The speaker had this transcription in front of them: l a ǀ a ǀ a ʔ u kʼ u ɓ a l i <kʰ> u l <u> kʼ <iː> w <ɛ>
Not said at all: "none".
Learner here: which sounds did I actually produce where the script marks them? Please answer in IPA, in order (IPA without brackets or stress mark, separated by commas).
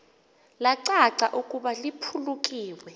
pʰ, u, iː, ɛ